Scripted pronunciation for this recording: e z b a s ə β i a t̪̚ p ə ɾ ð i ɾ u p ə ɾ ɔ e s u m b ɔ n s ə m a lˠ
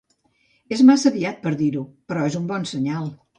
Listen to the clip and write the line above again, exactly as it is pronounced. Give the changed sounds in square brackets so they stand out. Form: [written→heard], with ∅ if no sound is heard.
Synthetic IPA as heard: e z [b→m] a s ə β i a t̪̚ p ə ɾ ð i ɾ u p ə ɾ ɔ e [s→z] u m b ɔ n s ə [m→ɲ] a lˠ